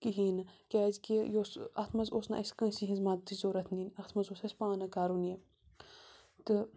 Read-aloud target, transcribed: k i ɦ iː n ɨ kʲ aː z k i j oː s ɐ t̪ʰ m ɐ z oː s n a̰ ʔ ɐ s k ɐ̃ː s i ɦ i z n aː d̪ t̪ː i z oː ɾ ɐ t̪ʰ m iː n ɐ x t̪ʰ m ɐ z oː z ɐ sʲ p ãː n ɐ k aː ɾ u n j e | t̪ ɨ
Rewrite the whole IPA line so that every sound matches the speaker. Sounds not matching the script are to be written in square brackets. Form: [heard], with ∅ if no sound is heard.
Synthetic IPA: k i ɦ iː n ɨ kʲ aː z k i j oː s ɐ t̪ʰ m ɐ z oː s n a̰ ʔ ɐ s k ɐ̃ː s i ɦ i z [m] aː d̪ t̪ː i z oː ɾ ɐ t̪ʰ [n] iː n ɐ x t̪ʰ m ɐ z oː [s] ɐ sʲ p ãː n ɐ k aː ɾ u n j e | t̪ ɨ